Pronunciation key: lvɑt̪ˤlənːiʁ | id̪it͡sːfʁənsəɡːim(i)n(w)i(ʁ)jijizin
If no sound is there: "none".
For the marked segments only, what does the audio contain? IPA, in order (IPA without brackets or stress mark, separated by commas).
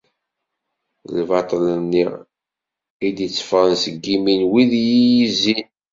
i, w, ð